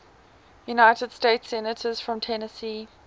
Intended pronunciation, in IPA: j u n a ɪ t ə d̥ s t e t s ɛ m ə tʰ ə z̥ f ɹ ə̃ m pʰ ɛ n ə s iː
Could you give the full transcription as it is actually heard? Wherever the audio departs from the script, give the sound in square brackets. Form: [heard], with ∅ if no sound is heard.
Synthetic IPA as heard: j u n a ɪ t ə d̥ s t e t s ɛ [n] ə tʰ ə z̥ f ɹ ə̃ m [tʰ] ɛ n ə s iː